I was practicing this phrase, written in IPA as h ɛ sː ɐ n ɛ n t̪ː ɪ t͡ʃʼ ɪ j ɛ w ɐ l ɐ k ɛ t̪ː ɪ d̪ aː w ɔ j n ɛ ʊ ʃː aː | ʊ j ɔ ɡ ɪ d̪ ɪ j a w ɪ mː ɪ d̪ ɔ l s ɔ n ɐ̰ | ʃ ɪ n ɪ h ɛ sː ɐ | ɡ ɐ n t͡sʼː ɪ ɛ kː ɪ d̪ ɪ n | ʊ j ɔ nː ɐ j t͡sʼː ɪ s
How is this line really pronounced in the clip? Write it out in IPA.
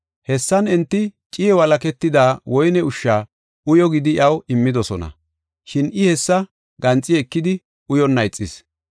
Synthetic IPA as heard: h ɛ sː ɐ n ɛ n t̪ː ɪ t͡ʃʼ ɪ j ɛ w ɐ l ɐ k ɛ t̪ː ɪ d̪ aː w ɔ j n ɛ ʊ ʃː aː | ʊ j ɔ ɡ ɪ d̪ ɪ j ɐ w ɪ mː ɪ d̪ ɔ s ɔ n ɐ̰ | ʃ ɪ n ɪ h ɛ sː ɐ | ɡ ɐ n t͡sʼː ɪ ɛ kː ɪ d̪ ɪ | ʊ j ɔ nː ɐ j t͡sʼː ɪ s

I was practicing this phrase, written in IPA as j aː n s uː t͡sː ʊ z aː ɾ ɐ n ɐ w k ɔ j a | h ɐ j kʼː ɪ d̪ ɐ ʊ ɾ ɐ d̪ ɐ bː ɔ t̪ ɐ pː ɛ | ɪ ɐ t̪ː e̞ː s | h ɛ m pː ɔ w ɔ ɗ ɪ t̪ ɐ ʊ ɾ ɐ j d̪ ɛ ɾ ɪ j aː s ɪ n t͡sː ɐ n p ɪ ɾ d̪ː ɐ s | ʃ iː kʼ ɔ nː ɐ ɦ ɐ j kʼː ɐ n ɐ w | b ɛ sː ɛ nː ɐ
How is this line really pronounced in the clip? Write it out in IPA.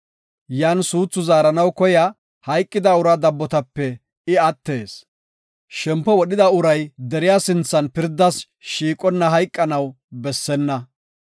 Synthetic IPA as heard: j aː n s uː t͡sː ʊ z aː ɾ ɐ n ɐ w k ɔ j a | h ɐ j kʼː ɪ d̪ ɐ ʊ ɾ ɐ d̪ ɐ bː ɔ t̪ ɐ pː ɛ | ɪ ɐ t̪ː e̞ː s | ʃ ɛ m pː ɔ w ɔ ɗ ɪ d̪ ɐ ʊ ɾ ɐ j d̪ ɛ ɾ ɪ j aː s ɪ n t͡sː ɐ n p ɪ ɾ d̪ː ɐ s | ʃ iː kʼ ɔ nː ɐ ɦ ɐ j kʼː ɐ n ɐ w | b ɛ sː ɛ nː ɐ

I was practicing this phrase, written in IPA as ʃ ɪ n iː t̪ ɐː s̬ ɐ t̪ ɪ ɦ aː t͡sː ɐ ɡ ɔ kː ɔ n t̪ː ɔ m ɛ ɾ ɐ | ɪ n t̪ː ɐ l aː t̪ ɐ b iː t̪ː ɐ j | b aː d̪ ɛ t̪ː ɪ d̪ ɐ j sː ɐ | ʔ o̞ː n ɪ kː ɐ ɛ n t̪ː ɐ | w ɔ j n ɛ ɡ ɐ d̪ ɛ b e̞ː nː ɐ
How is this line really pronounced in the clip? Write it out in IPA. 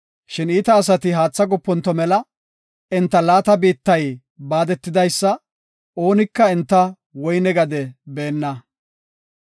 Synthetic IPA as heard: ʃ ɪ n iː t̪ ɐː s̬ ɐ t̪ ɪ ɦ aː t͡sː ɐ ɡ ɔ pː ɔ n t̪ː ɔ m ɛ l ɐ | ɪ n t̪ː ɐ l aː t̪ ɐ b iː t̪ː ɐ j | b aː d̪ ɛ t̪ː ɪ d̪ ɐ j sː ɐ | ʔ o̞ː n ɪ kː ɐ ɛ n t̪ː ɐ | w ɔ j n ɛ ɡ ɐ d̪ ɛ b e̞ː nː ɐ

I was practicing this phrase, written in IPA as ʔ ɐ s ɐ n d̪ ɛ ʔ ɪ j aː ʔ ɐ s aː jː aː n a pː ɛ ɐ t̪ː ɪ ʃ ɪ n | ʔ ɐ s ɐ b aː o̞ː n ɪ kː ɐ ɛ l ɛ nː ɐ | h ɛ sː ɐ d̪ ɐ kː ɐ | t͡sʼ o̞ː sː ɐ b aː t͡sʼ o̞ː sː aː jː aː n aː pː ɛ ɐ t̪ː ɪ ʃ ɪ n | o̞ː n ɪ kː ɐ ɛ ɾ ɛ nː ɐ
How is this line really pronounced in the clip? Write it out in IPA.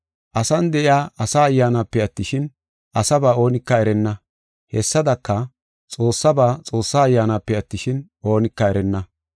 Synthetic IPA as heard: ʔ ɐ s ɐ n d̪ ɛ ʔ ɪ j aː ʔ ɐ s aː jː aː n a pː ɛ ɐ t̪ː ɪ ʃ ɪ n | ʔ ɐ s ɐ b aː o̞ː n ɪ kː ɐ ɛ ɾ ɛ nː ɐ | h ɛ sː ɐ d̪ ɐ kː ɐ | t͡sʼ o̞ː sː ɐ b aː t͡sʼ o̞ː sː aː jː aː n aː pː ɛ ɐ t̪ː ɪ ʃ ɪ n | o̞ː n ɪ kː ɐ ɛ ɾ ɛ nː ɐ

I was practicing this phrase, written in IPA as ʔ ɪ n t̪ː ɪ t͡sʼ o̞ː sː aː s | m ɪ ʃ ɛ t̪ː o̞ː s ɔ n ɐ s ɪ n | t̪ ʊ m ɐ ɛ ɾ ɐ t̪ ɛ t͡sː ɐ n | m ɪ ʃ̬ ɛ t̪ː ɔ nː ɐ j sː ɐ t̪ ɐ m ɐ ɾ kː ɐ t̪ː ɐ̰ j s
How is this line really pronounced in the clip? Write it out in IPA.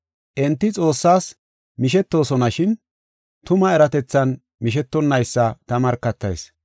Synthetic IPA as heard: ʔ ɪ n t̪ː ɪ t͡sʼ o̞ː sː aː s | m ɪ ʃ ɛ t̪ː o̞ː s ɔ n ɐ ʃ ɪ n | t̪ ʊ m ɐ ɛ ɾ ɐ t̪ ɛ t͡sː ɐ n | m ɪ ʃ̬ ɛ t̪ː ɔ nː ɐ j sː ɐ t̪ ɐ m ɐ ɾ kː ɐ t̪ː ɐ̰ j s

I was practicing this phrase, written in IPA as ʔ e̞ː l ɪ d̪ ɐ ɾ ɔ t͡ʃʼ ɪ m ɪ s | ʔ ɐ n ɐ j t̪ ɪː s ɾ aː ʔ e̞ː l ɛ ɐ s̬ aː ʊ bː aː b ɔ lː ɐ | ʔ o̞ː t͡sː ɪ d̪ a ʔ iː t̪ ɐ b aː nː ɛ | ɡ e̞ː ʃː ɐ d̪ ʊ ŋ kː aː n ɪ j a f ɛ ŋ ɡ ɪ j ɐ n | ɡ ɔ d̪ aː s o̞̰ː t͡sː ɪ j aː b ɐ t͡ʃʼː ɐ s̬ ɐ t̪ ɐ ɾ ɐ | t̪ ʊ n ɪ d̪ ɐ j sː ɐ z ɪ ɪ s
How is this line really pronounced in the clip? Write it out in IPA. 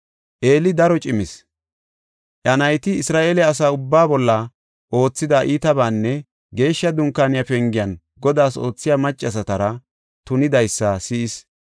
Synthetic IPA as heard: ʔ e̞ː l ɪ d̪ ɐ ɾ ɔ t͡ʃʼ ɪ m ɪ s | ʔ ɐ n ɐ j t̪ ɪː s ɾ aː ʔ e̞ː l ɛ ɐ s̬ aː ʊ bː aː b ɔ lː ɐ | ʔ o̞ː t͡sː ɪ d̪ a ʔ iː t̪ ɐ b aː nː ɛ | ɡ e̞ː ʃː ɐ d̪ ʊ ŋ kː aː n ɪ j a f ɛ ŋ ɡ ɪ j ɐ n | ɡ ɔ d̪ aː s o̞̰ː t͡sː ɪ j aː m ɐ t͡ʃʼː ɐ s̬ ɐ t̪ ɐ ɾ ɐ | t̪ ʊ n ɪ d̪ ɐ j sː ɐ s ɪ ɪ s

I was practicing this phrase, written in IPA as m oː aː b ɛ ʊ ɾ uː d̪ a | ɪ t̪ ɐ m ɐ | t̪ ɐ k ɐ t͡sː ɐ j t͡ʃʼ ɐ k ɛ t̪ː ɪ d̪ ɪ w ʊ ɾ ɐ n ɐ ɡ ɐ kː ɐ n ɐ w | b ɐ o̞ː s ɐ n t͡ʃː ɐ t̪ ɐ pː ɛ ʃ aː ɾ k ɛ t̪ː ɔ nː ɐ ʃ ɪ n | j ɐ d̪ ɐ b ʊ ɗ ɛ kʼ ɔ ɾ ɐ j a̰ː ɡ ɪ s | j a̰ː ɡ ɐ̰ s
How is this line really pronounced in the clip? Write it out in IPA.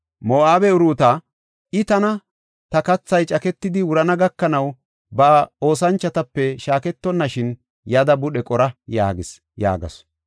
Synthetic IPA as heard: m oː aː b ɛ ʊ ɾ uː t̪ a | ɪ t̪ ɐ n ɐ | t̪ ɐ k ɐ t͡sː ɐ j t͡ʃʼ ɐ k ɛ t̪ː ɪ d̪ ɪ w ʊ ɾ ɐ n ɐ ɡ ɐ kː ɐ n ɐ w | b ɐ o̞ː s ɐ n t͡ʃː ɐ t̪ ɐ pː ɛ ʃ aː k ɛ t̪ː ɔ nː ɐ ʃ ɪ n | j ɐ d̪ ɐ b ʊ ɗ ɛ kʼ ɔ ɾ ɐ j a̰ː ɡ ɪ s | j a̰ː ɡ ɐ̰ s

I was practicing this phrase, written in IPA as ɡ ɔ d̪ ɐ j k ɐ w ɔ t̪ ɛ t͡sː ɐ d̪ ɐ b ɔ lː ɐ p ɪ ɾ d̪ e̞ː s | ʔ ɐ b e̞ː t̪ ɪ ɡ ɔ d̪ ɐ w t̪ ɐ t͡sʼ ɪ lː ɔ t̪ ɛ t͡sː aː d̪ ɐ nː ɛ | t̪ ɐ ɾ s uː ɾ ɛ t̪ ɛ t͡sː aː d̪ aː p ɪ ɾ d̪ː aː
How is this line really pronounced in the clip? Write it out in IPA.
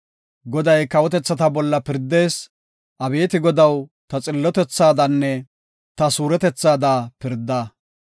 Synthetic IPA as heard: ɡ ɔ d̪ ɐ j k ɐ w ɔ t̪ ɛ t͡sː ɐ t̪ ɐ b ɔ lː ɐ p ɪ ɾ d̪ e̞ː s | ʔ ɐ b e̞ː t̪ ɪ ɡ ɔ d̪ ɐ w t̪ ɐ t͡sʼ ɪ lː ɔ t̪ ɛ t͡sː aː d̪ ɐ nː ɛ | t̪ ɐ s uː ɾ ɛ t̪ ɛ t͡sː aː d̪ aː p ɪ ɾ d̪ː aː

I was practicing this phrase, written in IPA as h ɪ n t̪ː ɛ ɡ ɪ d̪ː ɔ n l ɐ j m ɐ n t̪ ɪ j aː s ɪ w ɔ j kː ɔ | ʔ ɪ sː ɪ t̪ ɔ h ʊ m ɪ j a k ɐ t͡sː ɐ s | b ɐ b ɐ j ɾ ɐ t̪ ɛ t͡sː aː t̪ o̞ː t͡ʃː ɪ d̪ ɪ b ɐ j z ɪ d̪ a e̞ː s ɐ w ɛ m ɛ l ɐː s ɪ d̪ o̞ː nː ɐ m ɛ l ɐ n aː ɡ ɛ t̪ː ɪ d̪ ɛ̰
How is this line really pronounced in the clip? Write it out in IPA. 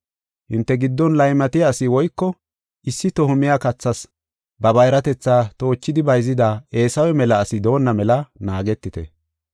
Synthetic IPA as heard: h ɪ n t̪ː ɛ ɡ ɪ d̪ː ɔ n l ɐ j m ɐ t̪ ɪ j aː s ɪ w ɔ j kː ɔ | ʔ ɪ sː ɪ t̪ ɔ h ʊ m ɪ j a k ɐ t͡sː ɐ s | b ɐ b ɐ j ɾ ɐ t̪ ɛ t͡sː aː t̪ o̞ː t͡ʃː ɪ d̪ ɪ b ɐ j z ɪ d̪ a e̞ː s ɐ w ɛ m ɛ l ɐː s ɪ d̪ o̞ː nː ɐ m ɛ l ɐ n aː ɡ ɛ t̪ː ɪ t̪ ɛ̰

